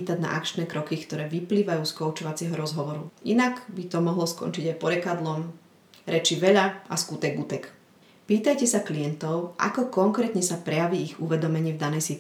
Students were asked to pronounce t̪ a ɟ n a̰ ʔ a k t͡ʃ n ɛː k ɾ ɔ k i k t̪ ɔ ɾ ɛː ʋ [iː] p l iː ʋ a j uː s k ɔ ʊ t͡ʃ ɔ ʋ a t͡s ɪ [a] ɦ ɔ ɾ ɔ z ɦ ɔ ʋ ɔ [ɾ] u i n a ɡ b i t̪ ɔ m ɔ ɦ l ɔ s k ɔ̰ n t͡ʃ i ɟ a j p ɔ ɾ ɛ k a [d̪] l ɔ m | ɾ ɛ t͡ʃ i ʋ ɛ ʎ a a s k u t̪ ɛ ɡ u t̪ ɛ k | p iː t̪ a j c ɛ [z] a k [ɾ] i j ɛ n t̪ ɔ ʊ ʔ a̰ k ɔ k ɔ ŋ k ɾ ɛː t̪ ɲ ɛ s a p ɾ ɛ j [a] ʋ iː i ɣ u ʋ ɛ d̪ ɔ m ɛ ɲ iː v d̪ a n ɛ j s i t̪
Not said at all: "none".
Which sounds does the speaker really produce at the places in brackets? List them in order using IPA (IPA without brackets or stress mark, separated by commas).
i, ɛ, ɾ, d̪, s, l, a